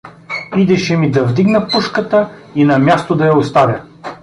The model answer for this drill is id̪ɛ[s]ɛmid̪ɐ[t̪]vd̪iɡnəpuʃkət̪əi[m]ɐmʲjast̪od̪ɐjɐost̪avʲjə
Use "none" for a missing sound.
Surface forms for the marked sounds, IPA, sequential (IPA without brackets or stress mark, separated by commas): ʃ, none, n